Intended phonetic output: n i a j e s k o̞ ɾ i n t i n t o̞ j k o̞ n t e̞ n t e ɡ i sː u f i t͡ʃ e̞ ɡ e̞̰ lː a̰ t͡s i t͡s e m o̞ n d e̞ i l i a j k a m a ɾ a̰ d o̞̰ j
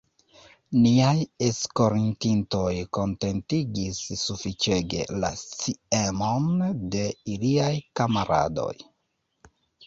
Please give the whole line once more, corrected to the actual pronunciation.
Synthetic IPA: n i a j e s k o̞ ɾ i n t i n t o̞ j k o̞ n t e̞ n t i ɡ i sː u f i t͡ʃ e̞ ɡ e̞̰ l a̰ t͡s i e m o̞ n d e̞ i l i a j k a m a ɾ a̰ d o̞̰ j